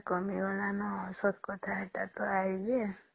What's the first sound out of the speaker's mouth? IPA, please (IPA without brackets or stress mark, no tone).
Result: k